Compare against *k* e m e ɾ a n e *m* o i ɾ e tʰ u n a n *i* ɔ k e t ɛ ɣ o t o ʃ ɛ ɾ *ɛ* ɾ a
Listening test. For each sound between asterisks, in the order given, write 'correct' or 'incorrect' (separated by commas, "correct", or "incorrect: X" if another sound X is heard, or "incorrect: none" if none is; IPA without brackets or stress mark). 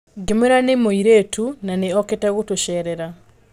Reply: incorrect: ɡ, correct, incorrect: e, correct